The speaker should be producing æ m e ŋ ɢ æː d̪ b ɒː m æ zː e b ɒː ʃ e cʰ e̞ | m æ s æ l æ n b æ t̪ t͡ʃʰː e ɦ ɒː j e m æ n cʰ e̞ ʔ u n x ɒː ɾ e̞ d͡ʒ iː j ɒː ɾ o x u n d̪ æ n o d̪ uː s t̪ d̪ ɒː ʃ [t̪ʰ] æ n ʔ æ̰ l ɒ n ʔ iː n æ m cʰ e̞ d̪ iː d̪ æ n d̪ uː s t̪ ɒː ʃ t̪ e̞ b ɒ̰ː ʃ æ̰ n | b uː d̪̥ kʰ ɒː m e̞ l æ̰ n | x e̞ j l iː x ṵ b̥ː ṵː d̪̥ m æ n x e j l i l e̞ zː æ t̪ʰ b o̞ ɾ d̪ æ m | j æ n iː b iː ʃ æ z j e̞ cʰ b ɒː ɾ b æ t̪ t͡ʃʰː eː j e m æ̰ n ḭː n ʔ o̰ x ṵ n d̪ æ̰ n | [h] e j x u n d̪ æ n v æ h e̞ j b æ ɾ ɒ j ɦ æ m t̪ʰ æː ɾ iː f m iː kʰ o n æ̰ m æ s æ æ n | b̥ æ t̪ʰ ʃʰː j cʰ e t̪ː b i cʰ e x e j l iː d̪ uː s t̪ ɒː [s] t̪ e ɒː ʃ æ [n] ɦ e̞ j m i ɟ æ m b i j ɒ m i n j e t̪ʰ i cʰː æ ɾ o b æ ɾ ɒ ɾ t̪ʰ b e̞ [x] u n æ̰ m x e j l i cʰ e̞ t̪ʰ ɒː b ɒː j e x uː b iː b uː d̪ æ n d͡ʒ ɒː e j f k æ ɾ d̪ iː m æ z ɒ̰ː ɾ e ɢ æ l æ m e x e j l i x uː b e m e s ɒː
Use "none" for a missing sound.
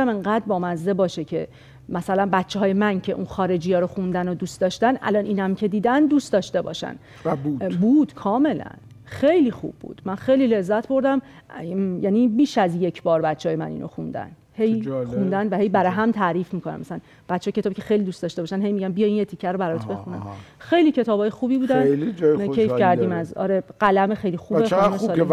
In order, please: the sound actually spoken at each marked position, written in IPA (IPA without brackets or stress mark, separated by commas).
t̪, h, ʃ, n, x